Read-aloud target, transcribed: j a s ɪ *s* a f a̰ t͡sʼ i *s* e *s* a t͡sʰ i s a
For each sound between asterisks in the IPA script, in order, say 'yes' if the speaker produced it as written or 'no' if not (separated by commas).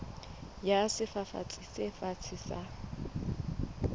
no, yes, no